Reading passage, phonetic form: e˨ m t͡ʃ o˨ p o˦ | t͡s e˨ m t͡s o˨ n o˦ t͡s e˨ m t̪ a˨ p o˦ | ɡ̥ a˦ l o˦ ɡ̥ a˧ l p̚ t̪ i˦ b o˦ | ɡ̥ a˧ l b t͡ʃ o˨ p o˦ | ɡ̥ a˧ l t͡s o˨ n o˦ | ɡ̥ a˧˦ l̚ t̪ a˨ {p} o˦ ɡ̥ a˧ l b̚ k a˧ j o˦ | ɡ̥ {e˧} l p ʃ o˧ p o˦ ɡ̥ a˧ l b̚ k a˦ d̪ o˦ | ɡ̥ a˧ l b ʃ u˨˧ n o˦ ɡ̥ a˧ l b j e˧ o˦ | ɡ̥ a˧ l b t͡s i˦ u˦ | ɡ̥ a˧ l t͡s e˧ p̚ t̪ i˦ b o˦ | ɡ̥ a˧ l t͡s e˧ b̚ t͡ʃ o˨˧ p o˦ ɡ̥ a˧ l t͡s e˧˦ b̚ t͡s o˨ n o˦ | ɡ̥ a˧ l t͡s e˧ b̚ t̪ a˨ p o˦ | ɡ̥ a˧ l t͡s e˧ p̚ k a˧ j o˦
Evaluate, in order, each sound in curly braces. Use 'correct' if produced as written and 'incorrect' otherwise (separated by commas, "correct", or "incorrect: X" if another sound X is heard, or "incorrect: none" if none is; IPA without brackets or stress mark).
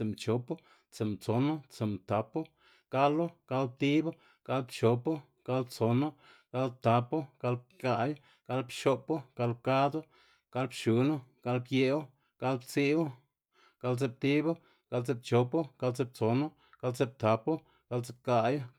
correct, incorrect: a˧